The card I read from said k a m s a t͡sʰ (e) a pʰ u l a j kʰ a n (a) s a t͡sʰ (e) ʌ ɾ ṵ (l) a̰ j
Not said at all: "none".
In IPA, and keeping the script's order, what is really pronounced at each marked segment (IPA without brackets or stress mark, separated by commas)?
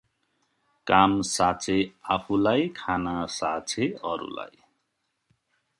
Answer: e, a, e, l